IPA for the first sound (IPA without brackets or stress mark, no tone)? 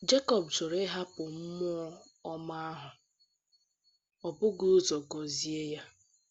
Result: d͡ʒ